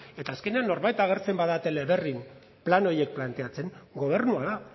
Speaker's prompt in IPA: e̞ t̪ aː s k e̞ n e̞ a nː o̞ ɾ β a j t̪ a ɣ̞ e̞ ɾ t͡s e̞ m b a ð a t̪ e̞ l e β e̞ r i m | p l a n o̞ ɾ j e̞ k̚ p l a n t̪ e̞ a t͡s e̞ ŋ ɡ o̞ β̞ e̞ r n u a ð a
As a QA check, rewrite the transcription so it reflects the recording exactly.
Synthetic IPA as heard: e̞ t̪ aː s k e̞ n e̞ a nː o̞ ɾ β a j t̪ a ɣ̞ e̞ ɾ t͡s e̞ m b a ð a t̪ e̞ l e β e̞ r i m | p l a n o̞ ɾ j e̞ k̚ p l a n t̪ e̞ a t͡s e̞ ŋ ɡ o̞ β̞ e̞ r n u a ð a